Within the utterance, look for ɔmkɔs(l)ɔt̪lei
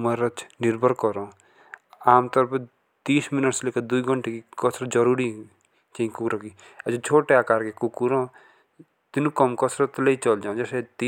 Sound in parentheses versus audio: incorrect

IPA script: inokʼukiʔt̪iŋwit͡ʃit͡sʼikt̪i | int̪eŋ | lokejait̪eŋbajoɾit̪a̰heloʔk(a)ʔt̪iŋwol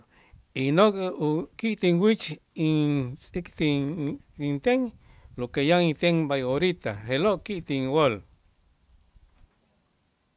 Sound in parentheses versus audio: incorrect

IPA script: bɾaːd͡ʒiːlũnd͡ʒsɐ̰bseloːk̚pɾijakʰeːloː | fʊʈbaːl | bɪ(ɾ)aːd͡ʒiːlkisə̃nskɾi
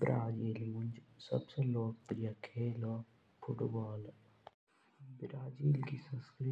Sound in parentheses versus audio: correct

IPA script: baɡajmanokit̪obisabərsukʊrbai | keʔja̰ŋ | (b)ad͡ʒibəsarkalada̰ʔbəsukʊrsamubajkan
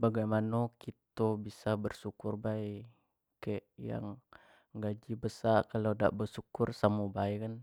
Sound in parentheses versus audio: incorrect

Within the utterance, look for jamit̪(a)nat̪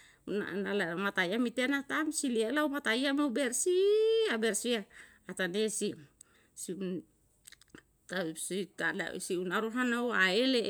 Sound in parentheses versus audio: incorrect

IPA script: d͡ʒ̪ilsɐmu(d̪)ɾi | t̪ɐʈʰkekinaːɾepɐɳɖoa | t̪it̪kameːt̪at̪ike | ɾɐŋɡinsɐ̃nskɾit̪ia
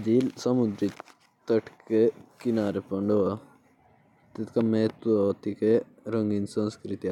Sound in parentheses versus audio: correct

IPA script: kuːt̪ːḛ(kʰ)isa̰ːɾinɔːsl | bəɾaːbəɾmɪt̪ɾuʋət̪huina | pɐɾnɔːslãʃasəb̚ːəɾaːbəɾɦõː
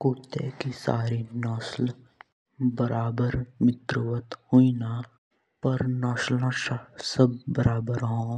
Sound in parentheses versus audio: incorrect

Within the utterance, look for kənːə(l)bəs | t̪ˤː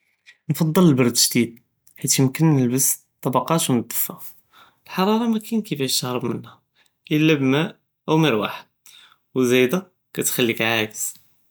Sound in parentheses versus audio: correct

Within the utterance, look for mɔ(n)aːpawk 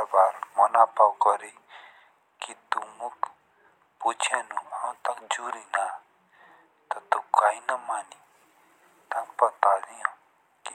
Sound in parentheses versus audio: correct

